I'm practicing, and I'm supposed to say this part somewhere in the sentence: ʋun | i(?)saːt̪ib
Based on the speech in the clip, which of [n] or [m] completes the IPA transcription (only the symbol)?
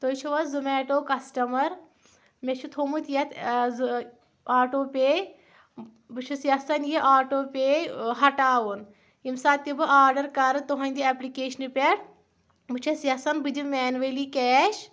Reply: m